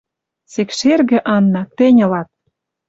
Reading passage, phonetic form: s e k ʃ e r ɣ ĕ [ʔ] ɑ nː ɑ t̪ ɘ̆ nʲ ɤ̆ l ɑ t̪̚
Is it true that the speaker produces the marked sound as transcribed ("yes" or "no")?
yes